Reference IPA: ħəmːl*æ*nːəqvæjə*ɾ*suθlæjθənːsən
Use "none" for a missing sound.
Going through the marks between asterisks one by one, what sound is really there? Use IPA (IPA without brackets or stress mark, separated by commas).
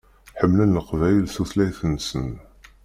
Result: æ, l